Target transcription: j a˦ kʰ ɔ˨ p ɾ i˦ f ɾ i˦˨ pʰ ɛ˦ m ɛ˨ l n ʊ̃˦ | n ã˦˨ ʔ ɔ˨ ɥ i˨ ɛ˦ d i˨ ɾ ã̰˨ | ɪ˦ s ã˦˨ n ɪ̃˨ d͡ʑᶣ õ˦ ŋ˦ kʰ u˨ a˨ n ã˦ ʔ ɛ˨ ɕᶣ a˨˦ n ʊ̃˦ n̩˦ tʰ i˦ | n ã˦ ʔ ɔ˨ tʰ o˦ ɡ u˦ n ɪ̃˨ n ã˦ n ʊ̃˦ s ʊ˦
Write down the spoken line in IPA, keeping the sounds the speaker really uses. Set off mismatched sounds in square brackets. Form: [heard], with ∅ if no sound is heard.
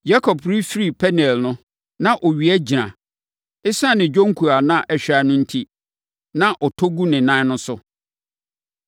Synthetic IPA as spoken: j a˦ kʰ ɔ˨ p ɾ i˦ f ɾ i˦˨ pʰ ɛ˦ [n] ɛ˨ l n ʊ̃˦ | n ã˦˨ ʔ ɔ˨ ɥ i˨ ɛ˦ [d͡ʑ] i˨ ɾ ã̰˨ | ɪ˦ s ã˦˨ n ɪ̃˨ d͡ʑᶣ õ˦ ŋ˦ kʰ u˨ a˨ n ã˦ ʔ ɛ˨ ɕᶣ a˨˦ n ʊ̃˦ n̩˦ tʰ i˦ | n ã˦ ʔ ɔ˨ tʰ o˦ ɡ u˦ n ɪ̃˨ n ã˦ n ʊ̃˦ s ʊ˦